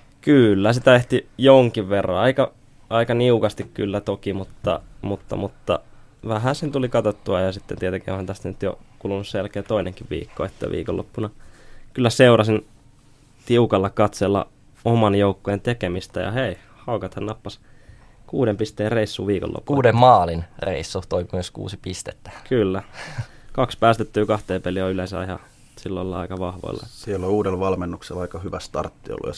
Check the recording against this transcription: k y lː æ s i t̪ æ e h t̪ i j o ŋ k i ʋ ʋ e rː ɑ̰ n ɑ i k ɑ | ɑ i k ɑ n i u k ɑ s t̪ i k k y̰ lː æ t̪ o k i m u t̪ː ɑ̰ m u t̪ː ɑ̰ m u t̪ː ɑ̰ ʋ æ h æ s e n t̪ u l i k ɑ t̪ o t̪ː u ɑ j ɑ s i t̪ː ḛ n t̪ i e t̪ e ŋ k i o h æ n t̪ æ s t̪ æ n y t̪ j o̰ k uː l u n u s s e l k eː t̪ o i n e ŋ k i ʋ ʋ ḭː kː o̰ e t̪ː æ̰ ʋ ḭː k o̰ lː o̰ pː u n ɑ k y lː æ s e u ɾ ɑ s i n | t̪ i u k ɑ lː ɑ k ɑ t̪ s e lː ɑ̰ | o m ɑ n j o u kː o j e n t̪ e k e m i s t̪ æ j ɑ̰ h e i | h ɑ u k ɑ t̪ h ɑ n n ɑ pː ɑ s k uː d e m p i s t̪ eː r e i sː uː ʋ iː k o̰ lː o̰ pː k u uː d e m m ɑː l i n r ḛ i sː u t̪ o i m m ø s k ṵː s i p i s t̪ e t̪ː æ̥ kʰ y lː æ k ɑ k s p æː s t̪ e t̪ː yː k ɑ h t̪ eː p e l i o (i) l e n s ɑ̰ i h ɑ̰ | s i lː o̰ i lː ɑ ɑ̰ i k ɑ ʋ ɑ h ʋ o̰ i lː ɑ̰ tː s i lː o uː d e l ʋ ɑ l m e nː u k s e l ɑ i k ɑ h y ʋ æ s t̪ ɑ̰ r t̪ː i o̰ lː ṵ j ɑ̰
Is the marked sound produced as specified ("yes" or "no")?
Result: no